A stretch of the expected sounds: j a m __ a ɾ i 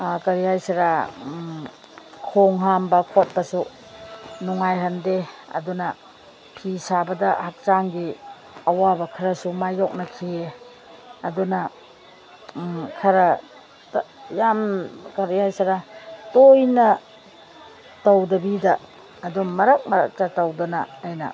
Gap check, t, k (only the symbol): k